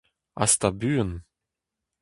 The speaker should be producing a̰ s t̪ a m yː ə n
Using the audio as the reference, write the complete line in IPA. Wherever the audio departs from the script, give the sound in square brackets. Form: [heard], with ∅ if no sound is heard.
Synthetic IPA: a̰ s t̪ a [b] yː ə n